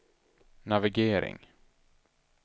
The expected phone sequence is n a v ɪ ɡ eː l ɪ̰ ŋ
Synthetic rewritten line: n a v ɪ ɡ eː ɾ ɪ̰ ŋ

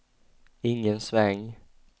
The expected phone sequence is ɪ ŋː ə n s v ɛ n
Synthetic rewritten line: ɪ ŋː ə n s v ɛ ŋ

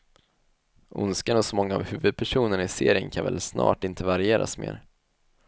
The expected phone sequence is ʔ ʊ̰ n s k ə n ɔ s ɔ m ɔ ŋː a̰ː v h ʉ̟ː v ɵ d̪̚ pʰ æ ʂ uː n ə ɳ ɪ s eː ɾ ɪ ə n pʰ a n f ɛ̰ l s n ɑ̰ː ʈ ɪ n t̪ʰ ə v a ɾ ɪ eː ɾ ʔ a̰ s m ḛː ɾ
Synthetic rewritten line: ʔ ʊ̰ n s k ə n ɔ s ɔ m ɔ ŋː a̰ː v h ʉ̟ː v ɵ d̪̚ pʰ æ ʂ uː n ə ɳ ɪ s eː ɾ ɪ ə n kʰ a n v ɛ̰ l s n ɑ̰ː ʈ ɪ n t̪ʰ ə v a ɾ ɪ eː ɾ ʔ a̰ s m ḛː ɾ

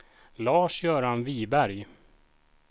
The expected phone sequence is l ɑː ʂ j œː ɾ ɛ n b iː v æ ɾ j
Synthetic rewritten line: l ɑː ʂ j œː ɾ a n v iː b æ ɾ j

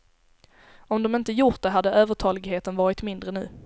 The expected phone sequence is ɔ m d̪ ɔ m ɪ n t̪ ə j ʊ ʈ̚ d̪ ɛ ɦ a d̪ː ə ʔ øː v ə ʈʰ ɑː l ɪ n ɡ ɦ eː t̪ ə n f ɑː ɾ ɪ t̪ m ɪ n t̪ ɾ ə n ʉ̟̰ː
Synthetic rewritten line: ɔ m d̪ ɔ m ɪ n t̪ ə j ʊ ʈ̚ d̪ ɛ ɦ a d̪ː ə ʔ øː v ə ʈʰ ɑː l ɪ ɡ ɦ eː t̪ ə n v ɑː ɾ ɪ t̪ m ɪ n d̪ ɾ ə n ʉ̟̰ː

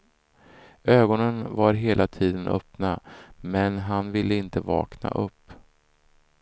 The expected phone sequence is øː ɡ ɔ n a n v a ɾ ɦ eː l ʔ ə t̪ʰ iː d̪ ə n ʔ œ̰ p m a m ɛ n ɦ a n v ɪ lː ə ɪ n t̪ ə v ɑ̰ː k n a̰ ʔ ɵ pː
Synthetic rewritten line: øː ɡ ɔ n ə n v a ɾ ɦ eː l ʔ a t̪ʰ iː d̪ ə n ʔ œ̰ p n a m ɛ n ɦ a n v ɪ lː ə ɪ n t̪ ə v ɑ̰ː k n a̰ ʔ ɵ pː

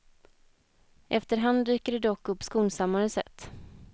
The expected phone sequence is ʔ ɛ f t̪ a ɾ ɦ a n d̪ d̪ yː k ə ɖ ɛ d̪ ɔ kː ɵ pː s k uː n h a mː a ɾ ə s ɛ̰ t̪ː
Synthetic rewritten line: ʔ ɛ f t̪ ə ɾ ɦ a n d̪ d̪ yː k ə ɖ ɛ d̪ ɔ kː ɵ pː s k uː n s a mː a ɾ ə s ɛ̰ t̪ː

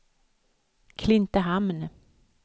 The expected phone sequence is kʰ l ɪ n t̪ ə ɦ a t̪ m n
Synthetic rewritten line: kʰ l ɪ n t̪ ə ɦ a m n

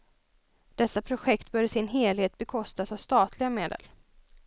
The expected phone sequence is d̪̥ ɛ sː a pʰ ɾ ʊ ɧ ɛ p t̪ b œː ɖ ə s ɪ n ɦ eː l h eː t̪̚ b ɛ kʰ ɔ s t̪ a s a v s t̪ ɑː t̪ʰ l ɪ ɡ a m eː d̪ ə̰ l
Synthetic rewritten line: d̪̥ ɛ sː a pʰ ɾ ʊ ɧ ɛ k t̪ b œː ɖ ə s ɪ n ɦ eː l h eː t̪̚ b ɛ kʰ ɔ s t̪ a s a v s t̪ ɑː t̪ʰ l ɪ ɡ a m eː d̪ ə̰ l

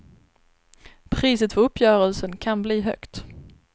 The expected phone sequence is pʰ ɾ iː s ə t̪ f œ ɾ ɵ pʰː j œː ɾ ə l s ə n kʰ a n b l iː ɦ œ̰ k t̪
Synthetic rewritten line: pʰ ɾ iː s ə t̪ f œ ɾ ɵ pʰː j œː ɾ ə l s ə n kʰ a n b l iː ɦ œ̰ k t̪

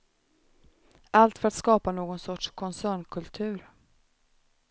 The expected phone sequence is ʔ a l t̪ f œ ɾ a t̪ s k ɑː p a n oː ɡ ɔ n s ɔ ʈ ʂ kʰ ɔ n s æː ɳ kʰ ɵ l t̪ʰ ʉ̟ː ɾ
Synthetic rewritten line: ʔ a l t̪ f œ ɾ a t̪ s k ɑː p a n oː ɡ ɔ n s ɔ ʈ ʂ kʰ ɔ n s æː ɳ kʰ ɵ l t̪ʰ ʉ̟ː ɾ

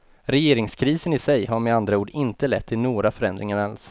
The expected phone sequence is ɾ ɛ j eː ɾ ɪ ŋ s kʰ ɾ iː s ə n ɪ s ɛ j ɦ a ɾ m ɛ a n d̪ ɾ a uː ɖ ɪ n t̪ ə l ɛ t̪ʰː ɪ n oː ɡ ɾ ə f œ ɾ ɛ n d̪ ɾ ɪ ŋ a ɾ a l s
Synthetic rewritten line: ɾ ɛ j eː ɾ ɪ ŋ s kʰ ɾ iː s ə n ɪ s ɛ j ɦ a ɾ m ɛ a n d̪ ɾ a uː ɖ ɪ n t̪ ə l ɛ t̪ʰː ɪ n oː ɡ ɾ a f œ ɾ ɛ n d̪ ɾ ɪ ŋ a ɾ a l s

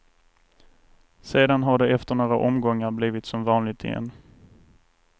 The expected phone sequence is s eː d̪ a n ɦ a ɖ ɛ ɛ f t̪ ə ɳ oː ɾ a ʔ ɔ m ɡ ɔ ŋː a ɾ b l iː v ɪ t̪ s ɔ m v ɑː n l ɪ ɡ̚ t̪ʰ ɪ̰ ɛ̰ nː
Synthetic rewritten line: s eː d̪ a n ɦ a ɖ ɛ ɛ f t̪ ə ɳ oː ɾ a ʔ ɔ m ɡ ɔ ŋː a ɾ b l iː v ɪ t̪ s ɔ m v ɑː n l ɪ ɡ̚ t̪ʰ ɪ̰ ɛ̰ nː

